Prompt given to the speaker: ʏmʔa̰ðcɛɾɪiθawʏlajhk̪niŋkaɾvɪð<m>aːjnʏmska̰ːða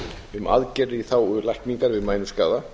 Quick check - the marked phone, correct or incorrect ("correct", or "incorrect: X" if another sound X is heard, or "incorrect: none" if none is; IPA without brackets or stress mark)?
correct